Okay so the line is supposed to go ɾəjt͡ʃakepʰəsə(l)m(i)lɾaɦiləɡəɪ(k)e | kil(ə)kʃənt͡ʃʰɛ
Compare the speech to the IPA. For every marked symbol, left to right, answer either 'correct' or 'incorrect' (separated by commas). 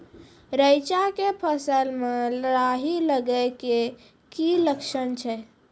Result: correct, incorrect, correct, correct